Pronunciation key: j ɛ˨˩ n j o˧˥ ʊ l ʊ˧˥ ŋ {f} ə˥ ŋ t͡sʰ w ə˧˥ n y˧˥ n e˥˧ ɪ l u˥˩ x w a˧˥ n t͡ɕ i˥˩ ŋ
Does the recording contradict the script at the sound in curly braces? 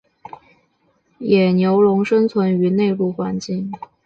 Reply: yes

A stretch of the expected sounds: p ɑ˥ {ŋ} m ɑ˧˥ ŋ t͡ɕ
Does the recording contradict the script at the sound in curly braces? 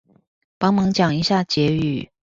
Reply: no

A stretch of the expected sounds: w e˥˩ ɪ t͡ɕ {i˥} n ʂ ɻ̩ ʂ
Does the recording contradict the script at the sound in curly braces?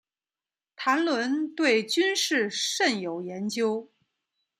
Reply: yes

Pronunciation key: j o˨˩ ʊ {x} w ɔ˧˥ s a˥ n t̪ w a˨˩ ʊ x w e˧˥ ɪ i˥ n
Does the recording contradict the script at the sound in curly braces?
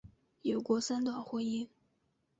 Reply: yes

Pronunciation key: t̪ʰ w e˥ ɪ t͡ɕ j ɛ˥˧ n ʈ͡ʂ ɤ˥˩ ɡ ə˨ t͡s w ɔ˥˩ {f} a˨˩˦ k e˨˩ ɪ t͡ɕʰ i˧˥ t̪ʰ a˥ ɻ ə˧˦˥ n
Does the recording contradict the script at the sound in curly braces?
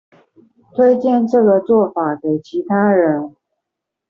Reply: no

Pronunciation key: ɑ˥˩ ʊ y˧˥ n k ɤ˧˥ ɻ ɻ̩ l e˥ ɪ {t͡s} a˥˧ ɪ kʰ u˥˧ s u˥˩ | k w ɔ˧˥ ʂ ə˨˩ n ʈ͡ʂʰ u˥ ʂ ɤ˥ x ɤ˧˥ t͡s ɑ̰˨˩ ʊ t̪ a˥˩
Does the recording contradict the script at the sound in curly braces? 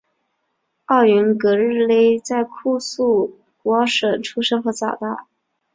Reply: no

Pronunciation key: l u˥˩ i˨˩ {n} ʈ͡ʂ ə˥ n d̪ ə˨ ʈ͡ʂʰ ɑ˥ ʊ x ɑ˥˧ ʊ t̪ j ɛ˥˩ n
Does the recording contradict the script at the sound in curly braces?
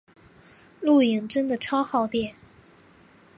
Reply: yes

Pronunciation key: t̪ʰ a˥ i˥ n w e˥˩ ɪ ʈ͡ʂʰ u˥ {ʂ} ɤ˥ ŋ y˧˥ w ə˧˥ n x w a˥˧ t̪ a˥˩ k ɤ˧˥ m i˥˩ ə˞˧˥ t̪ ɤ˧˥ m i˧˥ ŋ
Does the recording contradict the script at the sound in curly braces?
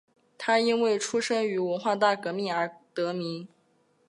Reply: no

